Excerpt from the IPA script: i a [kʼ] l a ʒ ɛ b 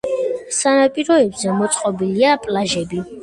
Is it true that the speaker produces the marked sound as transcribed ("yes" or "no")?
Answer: no